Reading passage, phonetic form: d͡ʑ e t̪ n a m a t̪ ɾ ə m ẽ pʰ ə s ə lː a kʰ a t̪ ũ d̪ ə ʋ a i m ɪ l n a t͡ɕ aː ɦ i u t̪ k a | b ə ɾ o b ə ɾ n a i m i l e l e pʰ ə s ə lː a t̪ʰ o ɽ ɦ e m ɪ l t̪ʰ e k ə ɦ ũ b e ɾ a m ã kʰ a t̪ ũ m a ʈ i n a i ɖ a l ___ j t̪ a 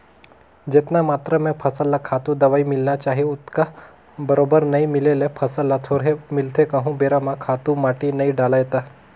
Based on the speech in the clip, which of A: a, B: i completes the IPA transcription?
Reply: A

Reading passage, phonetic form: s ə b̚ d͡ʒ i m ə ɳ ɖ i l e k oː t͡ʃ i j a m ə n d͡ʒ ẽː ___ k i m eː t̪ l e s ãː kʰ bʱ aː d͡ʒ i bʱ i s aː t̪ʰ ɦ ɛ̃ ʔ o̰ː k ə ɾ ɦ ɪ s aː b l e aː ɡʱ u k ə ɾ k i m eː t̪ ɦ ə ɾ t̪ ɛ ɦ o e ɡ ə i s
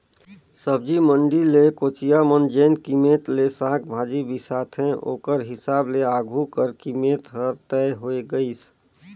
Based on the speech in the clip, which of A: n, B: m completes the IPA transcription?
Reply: A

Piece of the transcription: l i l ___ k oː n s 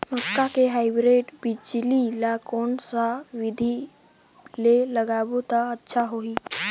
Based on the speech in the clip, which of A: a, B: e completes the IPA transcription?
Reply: A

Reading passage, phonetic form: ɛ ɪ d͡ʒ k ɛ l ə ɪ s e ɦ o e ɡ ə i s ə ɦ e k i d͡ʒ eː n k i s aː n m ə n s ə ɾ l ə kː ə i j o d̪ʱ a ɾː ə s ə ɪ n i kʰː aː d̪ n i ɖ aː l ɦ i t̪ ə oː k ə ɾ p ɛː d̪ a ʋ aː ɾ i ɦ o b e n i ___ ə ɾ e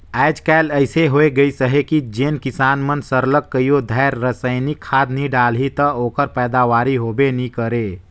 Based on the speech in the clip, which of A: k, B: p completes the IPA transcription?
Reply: A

